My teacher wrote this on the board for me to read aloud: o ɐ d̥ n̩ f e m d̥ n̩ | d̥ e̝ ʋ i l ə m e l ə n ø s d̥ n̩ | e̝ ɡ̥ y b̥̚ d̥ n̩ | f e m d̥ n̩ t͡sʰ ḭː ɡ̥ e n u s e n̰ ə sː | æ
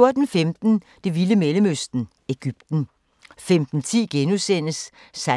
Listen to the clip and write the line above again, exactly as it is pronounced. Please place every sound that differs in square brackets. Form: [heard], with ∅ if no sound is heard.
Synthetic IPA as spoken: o ɐ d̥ n̩ f e m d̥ n̩ | d̥ e̝ ʋ i l ə m e l ə [m] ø s d̥ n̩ | e̝ ɡ̥ y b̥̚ d̥ n̩ | f e m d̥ n̩ t͡sʰ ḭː ɡ̥ e n u s e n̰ ə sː | æ